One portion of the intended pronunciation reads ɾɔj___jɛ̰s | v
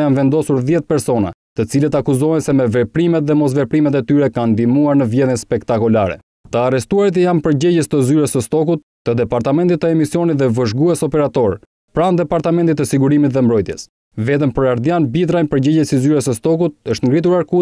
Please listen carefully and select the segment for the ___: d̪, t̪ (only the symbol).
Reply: t̪